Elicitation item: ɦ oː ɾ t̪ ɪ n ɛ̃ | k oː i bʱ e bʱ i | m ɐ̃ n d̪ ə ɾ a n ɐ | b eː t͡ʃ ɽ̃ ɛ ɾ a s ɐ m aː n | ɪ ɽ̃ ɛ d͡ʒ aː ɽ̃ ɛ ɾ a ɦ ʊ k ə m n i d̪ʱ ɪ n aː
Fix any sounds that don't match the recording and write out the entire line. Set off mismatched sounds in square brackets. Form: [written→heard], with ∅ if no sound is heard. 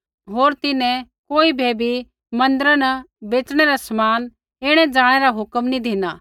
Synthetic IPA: ɦ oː ɾ t̪ ɪ n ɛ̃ | k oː i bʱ e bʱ i | m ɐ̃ n d̪ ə ɾ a n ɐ | b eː t͡ʃ ɽ̃ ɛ ɾ a s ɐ m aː n | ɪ ɽ̃ ɛ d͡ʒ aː ɽ̃ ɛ ɾ a ɦ ʊ k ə m n i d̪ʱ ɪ n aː